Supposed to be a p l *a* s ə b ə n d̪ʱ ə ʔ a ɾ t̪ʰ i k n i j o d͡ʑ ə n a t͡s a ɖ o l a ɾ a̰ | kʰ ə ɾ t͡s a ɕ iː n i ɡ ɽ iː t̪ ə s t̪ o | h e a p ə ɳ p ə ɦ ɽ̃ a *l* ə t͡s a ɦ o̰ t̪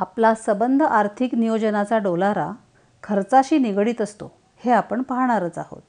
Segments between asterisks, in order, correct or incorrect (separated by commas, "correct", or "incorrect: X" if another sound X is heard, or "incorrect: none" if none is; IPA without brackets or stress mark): correct, incorrect: ɾ